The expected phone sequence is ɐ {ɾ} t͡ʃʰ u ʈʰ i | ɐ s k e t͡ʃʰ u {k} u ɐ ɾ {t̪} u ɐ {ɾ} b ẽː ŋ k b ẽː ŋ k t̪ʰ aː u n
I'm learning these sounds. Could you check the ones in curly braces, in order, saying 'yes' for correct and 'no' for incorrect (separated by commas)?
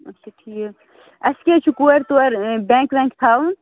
no, yes, yes, yes